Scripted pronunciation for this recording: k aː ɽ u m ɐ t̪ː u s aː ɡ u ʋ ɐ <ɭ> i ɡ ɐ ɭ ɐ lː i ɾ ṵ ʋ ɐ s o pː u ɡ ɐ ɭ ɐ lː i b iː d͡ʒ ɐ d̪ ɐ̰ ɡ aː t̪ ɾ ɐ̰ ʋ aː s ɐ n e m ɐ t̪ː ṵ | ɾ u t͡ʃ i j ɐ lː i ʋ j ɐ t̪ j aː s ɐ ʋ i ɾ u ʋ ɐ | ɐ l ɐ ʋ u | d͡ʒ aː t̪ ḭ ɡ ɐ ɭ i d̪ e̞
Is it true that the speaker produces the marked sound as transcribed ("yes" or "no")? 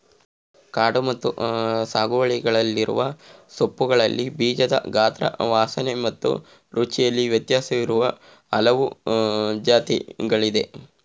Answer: yes